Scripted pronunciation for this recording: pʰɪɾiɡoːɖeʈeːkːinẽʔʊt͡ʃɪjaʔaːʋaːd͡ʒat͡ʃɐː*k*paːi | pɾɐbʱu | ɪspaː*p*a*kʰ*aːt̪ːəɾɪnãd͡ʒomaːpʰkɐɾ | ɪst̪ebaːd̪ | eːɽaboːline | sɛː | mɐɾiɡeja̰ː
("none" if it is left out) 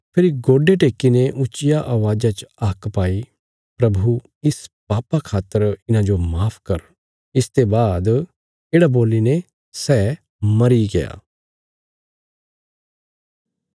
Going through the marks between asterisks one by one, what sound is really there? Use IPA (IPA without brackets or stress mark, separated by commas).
k, p, kʰ